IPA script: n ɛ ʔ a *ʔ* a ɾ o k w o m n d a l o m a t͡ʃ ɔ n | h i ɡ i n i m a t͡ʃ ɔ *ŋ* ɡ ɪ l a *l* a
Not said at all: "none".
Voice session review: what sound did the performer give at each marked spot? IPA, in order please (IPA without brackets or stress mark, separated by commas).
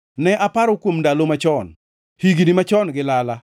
p, n, l